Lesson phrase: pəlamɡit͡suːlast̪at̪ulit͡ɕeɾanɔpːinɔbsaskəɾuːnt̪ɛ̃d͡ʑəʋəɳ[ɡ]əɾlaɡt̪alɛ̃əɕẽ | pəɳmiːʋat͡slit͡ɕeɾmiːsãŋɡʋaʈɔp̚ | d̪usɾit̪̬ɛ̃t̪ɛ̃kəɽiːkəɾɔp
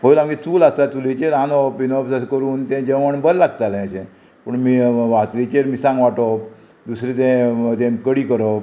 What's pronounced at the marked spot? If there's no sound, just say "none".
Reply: b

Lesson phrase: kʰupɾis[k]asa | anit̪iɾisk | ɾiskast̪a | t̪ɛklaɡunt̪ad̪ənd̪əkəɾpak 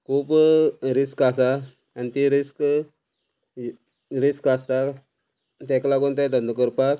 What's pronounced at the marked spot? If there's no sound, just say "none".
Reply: k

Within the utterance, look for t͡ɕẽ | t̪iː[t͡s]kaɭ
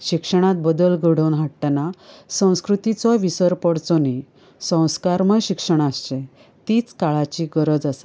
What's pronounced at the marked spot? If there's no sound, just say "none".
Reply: t͡s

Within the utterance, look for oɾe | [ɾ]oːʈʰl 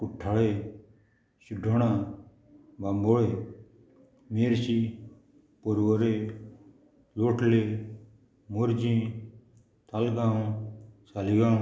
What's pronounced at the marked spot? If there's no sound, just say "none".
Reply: l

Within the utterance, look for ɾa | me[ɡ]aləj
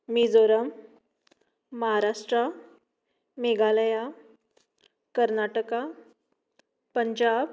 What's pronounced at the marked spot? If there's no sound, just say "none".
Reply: ɡ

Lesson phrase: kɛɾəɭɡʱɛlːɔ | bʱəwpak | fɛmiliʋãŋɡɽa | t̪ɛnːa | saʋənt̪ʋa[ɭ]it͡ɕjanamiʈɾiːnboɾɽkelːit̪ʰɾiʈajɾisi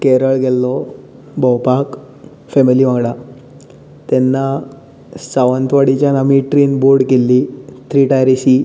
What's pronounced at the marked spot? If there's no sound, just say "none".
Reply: ɽ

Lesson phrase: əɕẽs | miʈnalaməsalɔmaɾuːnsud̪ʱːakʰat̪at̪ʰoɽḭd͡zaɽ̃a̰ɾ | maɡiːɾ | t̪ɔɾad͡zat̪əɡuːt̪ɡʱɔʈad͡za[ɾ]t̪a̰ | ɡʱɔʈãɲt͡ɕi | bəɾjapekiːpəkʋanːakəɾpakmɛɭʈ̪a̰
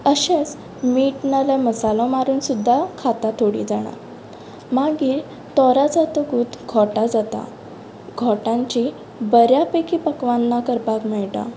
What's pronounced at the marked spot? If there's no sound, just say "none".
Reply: none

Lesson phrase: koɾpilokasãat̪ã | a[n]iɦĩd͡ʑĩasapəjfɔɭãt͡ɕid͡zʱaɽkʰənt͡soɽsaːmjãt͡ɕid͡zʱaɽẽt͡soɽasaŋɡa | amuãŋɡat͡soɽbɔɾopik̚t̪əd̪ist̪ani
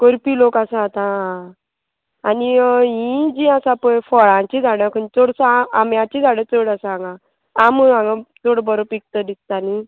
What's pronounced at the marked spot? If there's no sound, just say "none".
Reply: n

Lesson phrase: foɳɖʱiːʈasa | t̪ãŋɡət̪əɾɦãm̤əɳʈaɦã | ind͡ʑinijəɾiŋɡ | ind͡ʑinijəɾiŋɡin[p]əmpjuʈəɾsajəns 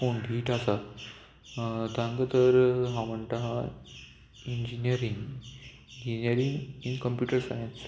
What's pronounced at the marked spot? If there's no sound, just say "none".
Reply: k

